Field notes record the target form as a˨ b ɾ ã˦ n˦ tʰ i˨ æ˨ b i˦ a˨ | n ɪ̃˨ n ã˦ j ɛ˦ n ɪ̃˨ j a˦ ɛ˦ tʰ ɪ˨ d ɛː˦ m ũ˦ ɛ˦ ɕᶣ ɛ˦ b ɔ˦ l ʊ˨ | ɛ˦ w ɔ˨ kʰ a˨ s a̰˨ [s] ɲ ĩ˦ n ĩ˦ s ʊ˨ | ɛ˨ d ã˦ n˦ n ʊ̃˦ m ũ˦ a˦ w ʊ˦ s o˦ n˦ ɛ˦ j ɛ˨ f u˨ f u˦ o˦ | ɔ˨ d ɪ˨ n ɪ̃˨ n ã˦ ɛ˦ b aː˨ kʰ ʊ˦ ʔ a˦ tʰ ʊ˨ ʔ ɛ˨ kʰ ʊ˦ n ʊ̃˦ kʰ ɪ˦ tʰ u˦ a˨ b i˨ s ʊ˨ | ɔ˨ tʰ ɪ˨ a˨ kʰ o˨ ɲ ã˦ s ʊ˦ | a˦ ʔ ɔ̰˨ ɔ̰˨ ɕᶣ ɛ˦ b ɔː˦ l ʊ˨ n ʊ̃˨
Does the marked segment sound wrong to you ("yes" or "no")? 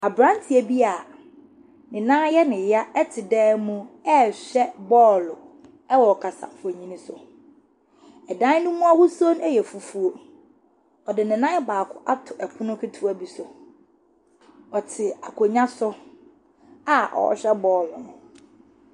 yes